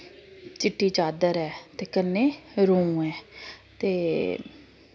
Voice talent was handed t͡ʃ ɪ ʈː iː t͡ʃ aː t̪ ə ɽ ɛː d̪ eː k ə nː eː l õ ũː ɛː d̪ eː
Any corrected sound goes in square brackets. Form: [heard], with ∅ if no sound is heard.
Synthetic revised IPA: t͡ʃ ɪ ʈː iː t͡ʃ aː [d̪] ə [ɾ] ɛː [t̪] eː k ə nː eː [ɾ] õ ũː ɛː [t̪] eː